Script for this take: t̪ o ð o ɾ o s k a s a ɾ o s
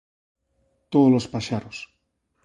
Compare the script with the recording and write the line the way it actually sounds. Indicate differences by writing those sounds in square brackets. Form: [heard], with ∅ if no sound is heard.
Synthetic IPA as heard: t̪ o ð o [l] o s [p] a [ʃ] a ɾ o s

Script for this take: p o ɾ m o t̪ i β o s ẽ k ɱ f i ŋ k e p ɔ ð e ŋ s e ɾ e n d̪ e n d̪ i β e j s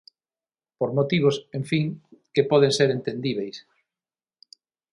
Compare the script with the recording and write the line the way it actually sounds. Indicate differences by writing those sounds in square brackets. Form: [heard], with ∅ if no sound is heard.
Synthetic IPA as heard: p o ɾ m o t̪ i β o s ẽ [∅] ɱ f i ŋ k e p ɔ ð e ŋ s e ɾ e n [t̪] e n d̪ i β e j s

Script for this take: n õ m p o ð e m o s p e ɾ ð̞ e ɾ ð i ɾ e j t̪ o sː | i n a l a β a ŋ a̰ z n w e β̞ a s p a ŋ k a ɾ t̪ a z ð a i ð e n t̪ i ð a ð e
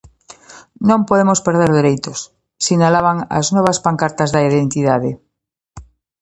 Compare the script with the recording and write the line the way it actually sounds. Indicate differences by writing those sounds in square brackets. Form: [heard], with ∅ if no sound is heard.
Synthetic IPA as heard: n õ m p o ð e m o s p e ɾ ð̞ e ɾ ð [e] ɾ e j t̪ o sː | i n a l a β a ŋ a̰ z n w e β̞ a s p a ŋ k a ɾ t̪ a z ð a i ð e n t̪ i ð a ð e

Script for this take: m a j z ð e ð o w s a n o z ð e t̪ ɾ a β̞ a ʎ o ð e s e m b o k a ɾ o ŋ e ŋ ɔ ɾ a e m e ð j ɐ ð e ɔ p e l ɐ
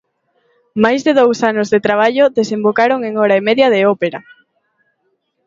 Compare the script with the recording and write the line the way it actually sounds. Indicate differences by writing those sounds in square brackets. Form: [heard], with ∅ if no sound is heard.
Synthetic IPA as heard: m a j z ð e ð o w s a n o z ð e t̪ ɾ a β̞ a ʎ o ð e s e m b o k a ɾ o ŋ e ŋ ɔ ɾ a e m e ð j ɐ ð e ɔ p e [ɾ] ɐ

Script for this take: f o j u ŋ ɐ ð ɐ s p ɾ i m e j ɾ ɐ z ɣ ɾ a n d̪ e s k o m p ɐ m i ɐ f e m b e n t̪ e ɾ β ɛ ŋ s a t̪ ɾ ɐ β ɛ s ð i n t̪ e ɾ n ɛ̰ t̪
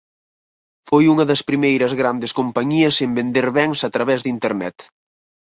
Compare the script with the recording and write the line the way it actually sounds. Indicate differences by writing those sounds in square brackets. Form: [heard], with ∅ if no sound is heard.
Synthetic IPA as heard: f o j u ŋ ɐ ð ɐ s p ɾ i m e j ɾ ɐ z ɣ ɾ a n d̪ e s k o m p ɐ [ɲ] i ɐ [s] e m b e n [d̪] e ɾ β ɛ ŋ s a t̪ ɾ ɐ β ɛ [z] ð i n t̪ e ɾ n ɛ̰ t̪

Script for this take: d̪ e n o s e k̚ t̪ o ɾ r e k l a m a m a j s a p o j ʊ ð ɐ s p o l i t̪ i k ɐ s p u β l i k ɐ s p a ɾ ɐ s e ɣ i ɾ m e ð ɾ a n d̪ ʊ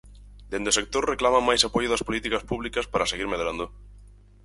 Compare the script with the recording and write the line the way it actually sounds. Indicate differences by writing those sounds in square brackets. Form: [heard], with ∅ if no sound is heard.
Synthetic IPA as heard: d̪ e n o s e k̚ t̪ o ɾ r e k l a m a m a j s a p o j ʊ ð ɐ s p o l i t̪ i k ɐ s p u β l i k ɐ s p a ɾ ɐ s e ɣ i ɾ m e ð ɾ a n d̪ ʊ

